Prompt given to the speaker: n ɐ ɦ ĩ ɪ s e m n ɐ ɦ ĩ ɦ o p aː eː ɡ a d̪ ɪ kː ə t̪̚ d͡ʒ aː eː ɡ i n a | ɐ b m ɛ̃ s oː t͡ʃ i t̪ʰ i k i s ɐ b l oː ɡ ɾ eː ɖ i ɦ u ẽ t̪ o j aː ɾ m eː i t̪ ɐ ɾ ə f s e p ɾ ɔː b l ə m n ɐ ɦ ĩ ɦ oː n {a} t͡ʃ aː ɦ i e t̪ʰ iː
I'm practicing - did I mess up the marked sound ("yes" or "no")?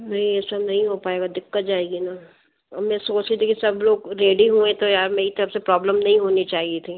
yes